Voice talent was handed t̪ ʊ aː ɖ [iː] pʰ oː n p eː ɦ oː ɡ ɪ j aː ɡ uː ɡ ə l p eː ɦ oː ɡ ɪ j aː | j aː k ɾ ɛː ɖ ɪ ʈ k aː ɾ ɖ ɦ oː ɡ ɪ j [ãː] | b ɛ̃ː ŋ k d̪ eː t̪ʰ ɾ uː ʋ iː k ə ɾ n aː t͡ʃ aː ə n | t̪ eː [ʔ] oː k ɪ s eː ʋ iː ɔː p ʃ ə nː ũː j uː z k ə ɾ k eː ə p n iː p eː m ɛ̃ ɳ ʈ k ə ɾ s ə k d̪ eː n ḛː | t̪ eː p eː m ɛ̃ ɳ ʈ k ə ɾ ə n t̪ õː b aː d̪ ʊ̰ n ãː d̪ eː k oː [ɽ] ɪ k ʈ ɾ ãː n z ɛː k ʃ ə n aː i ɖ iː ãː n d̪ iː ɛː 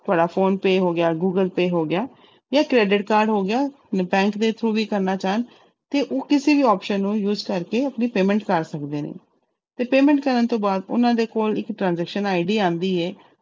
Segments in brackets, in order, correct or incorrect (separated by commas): incorrect, incorrect, correct, incorrect